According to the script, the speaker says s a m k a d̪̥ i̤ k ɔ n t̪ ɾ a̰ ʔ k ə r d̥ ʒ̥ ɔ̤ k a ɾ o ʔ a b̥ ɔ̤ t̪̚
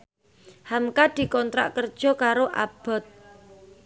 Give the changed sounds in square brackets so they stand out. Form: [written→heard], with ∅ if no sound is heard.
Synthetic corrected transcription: [s→h] a m k a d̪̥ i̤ k ɔ n t̪ ɾ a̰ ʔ k ə r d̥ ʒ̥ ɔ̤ k a ɾ o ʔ a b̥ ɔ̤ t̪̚

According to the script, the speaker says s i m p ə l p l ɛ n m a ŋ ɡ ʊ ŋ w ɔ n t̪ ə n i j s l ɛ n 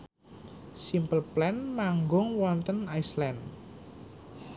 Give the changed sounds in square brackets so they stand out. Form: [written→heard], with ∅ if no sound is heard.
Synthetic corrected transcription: s i m p ə l p l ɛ n m a ŋ ɡ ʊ ŋ w ɔ n t̪ ə n [i→a] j s l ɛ n

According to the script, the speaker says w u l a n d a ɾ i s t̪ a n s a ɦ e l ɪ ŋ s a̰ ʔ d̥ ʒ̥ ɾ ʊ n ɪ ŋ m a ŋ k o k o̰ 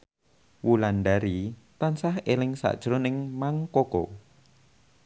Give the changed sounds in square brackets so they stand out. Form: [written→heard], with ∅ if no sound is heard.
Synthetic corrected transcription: w u l a n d a ɾ i [s→∅] t̪ a n s a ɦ e l ɪ ŋ s a̰ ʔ d̥ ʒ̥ ɾ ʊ n ɪ ŋ m a ŋ k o k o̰

